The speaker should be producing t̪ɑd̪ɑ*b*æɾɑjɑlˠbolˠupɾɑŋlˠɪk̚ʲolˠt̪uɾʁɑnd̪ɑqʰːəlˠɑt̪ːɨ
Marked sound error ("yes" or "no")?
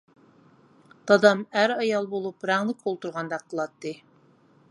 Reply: yes